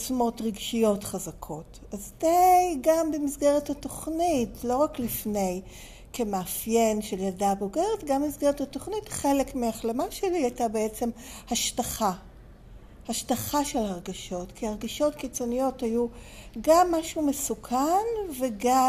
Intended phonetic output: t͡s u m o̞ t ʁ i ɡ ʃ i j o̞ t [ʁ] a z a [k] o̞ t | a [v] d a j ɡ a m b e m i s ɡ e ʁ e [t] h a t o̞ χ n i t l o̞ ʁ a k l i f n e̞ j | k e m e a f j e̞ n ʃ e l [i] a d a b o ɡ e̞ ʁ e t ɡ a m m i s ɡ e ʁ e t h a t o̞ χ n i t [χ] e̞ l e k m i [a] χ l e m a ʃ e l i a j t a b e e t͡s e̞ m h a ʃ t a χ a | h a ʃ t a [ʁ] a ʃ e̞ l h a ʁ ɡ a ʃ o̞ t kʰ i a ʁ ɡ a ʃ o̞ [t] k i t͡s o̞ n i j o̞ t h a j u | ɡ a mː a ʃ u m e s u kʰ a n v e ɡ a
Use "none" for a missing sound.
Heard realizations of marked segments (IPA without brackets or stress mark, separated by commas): χ, kʰ, z, t, j, χ, a, χ, t